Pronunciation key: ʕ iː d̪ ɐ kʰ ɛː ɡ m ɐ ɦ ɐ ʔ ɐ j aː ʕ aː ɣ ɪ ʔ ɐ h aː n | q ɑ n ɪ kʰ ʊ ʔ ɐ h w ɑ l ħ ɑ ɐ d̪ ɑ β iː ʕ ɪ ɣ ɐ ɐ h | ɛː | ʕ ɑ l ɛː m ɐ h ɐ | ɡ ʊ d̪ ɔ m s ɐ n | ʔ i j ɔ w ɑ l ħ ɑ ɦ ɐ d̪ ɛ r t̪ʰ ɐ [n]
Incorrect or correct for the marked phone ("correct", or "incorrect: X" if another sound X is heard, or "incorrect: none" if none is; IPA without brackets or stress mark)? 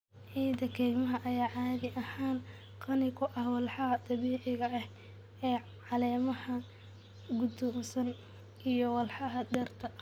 incorrect: none